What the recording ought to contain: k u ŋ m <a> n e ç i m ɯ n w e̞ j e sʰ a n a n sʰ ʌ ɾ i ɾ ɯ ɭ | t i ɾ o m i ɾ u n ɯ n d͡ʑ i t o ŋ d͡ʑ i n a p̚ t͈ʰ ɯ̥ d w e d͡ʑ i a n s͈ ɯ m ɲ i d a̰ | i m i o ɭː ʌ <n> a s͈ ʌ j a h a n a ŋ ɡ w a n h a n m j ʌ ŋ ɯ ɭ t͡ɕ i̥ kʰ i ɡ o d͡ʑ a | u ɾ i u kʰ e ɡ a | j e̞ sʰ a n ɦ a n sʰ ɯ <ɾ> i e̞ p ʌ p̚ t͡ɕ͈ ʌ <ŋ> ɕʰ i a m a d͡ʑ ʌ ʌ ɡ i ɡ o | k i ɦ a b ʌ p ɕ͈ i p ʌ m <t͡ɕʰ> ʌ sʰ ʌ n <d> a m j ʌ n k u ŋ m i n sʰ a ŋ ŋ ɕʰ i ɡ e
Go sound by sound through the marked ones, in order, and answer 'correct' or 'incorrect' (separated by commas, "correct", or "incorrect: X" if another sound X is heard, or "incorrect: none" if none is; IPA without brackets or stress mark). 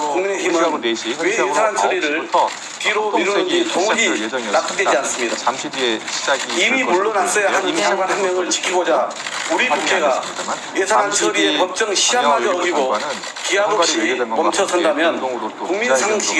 incorrect: i, correct, correct, correct, correct, correct